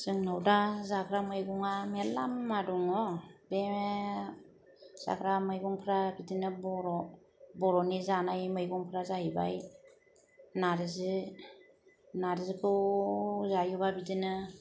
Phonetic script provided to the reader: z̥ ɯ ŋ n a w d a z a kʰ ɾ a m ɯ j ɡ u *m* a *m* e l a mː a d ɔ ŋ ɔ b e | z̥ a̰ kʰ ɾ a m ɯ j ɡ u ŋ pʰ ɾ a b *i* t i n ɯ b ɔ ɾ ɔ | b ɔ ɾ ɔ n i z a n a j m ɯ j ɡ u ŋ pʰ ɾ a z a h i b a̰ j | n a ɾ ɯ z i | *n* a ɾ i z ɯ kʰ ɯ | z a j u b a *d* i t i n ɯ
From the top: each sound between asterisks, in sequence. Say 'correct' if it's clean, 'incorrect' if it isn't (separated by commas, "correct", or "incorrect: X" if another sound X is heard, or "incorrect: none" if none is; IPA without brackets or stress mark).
incorrect: ŋ, correct, correct, correct, incorrect: b